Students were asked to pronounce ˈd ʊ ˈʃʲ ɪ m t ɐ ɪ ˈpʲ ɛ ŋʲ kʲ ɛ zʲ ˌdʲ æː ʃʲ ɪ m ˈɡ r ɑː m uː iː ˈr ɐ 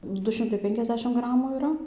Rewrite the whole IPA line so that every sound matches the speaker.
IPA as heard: ˈd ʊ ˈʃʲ ɪ m t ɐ ɪ ˈpʲ ɛ ŋʲ kʲ ɛ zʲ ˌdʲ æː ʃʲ ɪ m ˈɡ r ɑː m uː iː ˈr ɐ